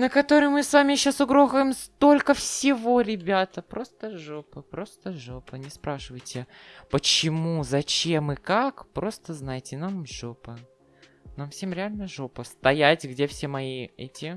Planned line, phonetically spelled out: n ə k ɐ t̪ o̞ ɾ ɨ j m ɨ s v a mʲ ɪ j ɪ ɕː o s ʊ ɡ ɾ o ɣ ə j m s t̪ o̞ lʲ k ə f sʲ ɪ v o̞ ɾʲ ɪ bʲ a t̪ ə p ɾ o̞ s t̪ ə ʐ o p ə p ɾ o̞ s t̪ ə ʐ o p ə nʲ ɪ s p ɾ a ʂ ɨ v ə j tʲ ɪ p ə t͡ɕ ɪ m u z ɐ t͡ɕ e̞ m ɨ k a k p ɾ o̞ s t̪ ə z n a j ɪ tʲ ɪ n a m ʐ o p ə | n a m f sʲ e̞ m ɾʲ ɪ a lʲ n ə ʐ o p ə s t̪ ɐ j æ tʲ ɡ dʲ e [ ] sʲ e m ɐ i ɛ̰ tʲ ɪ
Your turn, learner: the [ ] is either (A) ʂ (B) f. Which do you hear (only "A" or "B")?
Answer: B